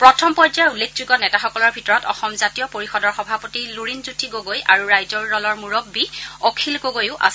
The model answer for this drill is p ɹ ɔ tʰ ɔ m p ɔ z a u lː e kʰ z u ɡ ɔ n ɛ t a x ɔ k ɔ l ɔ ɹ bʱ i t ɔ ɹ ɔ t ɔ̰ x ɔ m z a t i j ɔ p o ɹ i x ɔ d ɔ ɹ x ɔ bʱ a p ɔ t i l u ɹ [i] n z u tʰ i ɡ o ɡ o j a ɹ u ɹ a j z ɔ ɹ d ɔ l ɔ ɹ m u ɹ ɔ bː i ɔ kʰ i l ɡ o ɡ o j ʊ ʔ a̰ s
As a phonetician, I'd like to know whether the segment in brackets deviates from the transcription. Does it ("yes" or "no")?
no